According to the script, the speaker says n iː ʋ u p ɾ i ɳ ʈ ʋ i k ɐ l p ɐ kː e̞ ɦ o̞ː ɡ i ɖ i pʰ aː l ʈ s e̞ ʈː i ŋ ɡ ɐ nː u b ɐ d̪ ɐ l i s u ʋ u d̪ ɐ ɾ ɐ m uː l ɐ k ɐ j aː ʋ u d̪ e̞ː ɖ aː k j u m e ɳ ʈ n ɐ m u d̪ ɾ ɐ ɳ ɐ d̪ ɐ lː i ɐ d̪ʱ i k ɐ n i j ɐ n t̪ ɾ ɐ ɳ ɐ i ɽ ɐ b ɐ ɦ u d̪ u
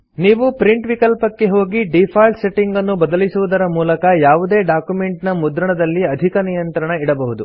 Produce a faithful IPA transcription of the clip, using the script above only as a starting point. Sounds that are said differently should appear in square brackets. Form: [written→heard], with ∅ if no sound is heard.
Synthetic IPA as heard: n iː ʋ u p ɾ i ɳ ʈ ʋ i k ɐ l p ɐ kː e̞ ɦ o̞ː ɡ i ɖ i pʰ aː l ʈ s e̞ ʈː i ŋ ɡ ɐ nː u b ɐ d̪ ɐ l i s u ʋ u d̪ ɐ ɾ ɐ m uː l ɐ k ɐ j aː ʋ u d̪ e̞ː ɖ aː k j u m e ɳ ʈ n ɐ m u d̪ ɾ ɐ ɳ ɐ d̪ ɐ lː i ɐ d̪ʱ i k ɐ n i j ɐ n t̪ ɾ ɐ ɳ ɐ i ɽ ɐ b ɐ ɦ u d̪ u